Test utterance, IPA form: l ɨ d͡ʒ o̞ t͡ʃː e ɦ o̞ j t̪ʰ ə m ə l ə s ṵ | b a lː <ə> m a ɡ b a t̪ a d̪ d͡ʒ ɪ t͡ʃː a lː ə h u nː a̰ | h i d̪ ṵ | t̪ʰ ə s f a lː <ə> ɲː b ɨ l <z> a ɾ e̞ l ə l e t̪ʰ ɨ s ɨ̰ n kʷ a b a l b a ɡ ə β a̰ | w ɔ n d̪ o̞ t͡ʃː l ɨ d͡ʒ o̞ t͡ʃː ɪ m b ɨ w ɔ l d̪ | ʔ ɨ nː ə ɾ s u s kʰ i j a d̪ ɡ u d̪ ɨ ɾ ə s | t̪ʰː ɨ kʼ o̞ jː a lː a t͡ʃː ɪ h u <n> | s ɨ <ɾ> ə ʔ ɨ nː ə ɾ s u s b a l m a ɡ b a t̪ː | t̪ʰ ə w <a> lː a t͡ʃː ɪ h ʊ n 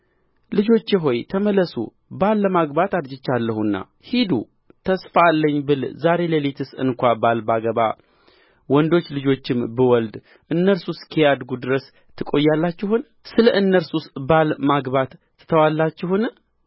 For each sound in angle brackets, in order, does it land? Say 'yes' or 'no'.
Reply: yes, yes, yes, yes, no, yes

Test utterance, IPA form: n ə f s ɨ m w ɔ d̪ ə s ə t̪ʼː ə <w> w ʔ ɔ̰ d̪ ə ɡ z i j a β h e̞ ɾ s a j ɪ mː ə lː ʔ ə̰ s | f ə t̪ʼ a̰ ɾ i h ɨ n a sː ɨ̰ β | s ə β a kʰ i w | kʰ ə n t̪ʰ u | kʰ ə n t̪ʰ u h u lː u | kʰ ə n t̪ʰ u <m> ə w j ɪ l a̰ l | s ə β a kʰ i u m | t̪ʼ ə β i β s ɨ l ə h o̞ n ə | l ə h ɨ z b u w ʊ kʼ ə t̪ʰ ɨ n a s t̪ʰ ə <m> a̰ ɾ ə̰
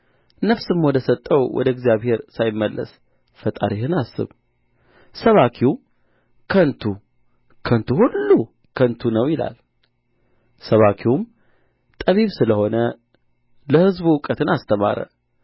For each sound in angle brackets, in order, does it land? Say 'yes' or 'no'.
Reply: yes, no, yes

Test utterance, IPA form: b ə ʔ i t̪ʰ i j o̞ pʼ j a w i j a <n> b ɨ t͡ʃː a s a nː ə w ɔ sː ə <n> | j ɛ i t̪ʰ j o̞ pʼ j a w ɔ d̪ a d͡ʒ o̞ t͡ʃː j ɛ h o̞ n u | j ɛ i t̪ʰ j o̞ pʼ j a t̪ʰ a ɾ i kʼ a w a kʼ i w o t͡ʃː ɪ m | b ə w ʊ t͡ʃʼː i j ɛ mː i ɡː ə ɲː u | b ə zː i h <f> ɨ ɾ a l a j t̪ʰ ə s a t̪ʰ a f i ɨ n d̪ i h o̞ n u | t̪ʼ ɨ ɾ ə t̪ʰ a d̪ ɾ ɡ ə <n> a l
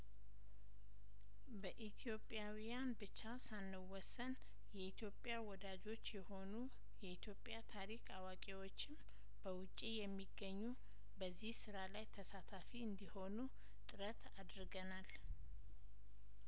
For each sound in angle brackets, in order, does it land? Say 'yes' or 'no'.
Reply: yes, yes, no, yes

